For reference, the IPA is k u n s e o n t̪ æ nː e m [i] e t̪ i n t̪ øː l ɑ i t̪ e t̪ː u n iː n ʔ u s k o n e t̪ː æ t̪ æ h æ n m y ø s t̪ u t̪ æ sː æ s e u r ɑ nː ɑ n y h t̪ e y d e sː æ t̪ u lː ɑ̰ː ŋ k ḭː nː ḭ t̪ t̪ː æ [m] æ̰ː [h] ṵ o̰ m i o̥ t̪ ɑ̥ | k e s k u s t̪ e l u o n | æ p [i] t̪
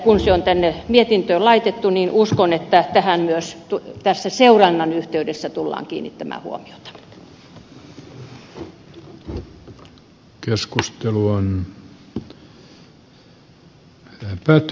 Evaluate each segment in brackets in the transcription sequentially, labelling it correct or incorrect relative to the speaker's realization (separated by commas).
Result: correct, correct, correct, incorrect